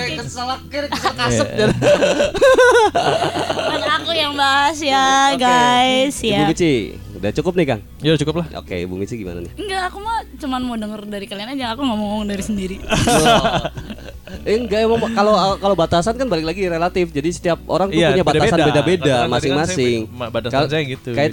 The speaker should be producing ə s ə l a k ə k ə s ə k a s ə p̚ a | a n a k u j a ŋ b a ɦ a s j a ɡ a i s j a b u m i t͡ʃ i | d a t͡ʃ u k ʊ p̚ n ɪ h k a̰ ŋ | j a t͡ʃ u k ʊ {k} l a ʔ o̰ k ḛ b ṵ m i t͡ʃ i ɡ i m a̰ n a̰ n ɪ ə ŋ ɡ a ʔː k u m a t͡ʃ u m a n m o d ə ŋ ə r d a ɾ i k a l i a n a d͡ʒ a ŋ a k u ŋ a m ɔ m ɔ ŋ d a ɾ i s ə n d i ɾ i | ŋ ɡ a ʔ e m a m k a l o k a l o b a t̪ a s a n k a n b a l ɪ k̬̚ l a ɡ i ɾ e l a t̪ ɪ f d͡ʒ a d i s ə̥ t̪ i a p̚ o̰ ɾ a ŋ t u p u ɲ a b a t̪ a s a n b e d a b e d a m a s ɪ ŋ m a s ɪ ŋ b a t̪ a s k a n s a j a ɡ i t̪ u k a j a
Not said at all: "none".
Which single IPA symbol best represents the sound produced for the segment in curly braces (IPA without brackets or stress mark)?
p